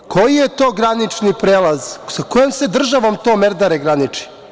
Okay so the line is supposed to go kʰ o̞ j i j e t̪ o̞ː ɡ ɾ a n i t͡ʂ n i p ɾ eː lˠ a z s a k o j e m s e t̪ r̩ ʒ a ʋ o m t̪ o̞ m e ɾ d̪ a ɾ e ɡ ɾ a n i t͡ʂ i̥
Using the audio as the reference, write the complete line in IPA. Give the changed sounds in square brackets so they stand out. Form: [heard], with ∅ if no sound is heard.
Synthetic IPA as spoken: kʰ o̞ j i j e t̪ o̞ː ɡ ɾ a n i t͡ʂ n i p ɾ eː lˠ a z s a k o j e m s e [d̪] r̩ ʒ a ʋ o m t̪ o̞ m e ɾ d̪ a ɾ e ɡ ɾ a n i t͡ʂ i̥